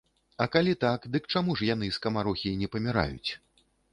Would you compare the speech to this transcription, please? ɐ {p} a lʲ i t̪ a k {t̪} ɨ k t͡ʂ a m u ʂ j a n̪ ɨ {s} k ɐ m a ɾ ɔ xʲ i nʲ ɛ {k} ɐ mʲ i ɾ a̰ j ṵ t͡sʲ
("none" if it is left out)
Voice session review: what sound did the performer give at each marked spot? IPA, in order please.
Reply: k, d̪, s, p

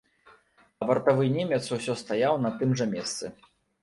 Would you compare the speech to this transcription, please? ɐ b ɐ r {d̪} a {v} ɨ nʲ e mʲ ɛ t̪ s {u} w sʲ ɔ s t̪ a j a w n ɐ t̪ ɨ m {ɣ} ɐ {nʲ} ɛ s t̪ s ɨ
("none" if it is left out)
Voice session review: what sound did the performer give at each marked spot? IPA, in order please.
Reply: t̪, v, u, ʐ, mʲ

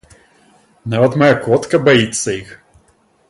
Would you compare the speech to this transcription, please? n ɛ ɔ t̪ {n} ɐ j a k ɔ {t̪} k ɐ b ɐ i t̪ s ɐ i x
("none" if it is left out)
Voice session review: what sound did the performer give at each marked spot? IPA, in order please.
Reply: m, t̪

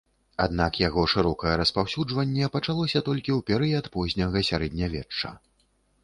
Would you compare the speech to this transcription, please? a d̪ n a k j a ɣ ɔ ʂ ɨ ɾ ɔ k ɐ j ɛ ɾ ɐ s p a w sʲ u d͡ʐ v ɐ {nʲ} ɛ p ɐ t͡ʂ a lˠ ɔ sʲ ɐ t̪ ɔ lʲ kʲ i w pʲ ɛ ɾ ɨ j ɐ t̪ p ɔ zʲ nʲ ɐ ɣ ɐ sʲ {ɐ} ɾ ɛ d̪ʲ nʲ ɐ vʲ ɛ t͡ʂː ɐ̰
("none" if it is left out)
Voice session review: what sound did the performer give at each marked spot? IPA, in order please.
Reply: nʲː, a

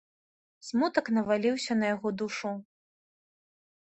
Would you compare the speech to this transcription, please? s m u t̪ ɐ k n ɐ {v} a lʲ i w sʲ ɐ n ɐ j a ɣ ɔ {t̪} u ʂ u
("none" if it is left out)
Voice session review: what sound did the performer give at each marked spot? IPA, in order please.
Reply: v, d̪

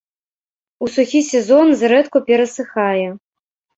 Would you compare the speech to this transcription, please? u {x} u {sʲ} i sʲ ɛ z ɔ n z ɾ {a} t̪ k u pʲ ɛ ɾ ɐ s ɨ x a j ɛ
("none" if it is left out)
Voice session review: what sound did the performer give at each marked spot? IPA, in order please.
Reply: s, xʲ, ɛ

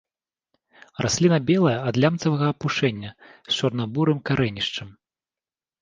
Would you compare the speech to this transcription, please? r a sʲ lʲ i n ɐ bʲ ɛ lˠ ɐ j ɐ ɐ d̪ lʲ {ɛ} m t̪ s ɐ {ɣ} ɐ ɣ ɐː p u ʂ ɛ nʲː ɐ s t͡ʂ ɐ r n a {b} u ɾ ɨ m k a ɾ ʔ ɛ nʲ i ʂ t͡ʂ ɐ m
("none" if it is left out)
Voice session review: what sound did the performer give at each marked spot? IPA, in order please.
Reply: a, v, b

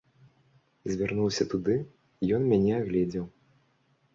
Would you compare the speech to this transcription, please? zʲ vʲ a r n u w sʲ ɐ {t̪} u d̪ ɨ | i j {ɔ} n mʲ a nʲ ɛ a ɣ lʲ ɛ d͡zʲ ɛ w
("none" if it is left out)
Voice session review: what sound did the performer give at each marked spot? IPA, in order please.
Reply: t̪, ɔ

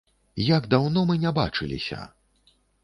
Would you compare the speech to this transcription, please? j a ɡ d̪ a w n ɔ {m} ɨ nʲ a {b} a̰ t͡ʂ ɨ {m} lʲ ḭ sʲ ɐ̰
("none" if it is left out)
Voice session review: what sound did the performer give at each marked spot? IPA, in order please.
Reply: m, b, none

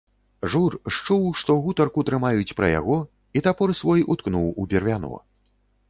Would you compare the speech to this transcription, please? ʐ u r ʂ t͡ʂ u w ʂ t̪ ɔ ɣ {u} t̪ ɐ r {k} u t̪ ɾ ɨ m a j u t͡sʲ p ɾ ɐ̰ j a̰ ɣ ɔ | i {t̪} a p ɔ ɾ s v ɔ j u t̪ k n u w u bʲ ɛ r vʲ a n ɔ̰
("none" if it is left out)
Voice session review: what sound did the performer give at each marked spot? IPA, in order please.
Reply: u, k, t̪

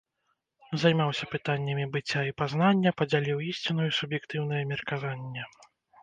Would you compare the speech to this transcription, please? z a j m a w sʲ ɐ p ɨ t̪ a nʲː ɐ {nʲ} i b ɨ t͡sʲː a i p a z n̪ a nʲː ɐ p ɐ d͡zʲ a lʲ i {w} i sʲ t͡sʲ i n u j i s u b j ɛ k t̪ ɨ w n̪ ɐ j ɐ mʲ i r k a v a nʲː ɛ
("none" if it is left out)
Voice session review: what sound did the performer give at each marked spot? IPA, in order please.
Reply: mʲ, w

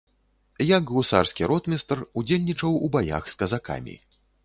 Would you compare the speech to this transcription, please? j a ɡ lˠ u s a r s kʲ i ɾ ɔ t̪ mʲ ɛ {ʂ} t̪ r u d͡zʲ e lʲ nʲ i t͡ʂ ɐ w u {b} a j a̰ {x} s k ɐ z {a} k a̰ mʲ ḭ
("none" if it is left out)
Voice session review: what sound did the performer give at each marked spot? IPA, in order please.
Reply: s, b, x, a

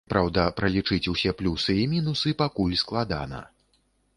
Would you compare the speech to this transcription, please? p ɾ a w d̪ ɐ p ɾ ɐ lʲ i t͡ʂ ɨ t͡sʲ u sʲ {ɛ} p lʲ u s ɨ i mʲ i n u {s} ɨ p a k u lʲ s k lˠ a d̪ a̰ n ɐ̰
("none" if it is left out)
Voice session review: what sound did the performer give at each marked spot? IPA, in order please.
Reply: ɛ, s

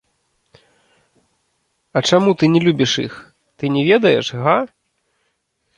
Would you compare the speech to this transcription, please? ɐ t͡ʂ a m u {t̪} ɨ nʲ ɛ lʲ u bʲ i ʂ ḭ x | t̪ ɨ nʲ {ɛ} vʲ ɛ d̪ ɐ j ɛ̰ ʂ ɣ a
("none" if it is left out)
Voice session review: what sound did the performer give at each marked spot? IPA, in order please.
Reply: t̪, ɛ

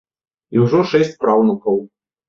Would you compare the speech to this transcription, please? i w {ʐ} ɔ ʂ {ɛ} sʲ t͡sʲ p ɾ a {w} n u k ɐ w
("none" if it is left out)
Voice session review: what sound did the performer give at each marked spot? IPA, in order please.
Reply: ʐ, ɛ, w

